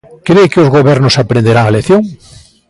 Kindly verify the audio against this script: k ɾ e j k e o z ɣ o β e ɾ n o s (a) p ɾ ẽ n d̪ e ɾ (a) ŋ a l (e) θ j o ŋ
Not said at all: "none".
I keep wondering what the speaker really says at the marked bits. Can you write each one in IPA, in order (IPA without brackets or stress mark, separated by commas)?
a, a, e